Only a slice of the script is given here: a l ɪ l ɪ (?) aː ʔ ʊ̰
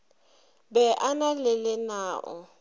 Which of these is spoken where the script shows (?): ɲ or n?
n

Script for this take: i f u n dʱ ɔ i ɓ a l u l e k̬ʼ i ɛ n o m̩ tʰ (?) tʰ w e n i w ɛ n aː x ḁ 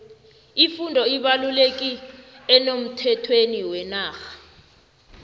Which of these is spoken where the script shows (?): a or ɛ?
ɛ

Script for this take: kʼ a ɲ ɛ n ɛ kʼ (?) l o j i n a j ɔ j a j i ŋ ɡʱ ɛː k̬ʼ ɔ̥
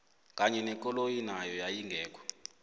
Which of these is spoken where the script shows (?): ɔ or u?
ɔ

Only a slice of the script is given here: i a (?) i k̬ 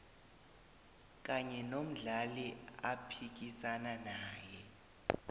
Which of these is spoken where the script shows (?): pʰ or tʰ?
pʰ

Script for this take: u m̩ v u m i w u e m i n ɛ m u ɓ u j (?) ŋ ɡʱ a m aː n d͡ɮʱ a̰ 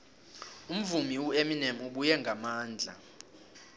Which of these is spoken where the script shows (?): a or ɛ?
ɛ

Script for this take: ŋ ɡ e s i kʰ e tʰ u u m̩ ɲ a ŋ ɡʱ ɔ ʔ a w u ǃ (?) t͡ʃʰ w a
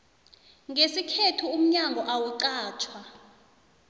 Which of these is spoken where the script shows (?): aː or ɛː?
aː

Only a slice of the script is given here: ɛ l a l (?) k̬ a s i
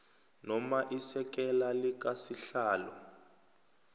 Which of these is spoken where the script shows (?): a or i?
i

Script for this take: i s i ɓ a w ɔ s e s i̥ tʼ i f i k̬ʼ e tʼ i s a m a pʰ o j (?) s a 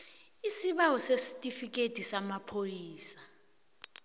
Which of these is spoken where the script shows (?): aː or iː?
iː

